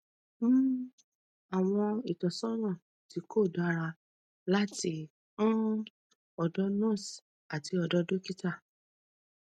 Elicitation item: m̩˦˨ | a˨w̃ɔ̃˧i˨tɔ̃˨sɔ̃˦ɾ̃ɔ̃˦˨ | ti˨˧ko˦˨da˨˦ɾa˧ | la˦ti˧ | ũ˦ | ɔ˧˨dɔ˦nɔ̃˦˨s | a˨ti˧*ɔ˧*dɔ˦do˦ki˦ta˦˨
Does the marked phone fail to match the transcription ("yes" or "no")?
no